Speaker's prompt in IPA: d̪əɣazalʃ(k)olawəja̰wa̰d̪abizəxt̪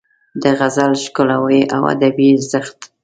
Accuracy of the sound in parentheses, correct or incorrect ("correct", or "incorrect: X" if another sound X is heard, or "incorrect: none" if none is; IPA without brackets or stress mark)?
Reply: correct